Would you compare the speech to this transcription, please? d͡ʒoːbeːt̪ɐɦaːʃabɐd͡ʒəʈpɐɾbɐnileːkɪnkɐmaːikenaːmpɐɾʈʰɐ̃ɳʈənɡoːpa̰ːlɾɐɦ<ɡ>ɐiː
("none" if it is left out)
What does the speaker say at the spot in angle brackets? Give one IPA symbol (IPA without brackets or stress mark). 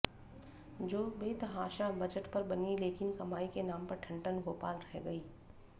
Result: ɡ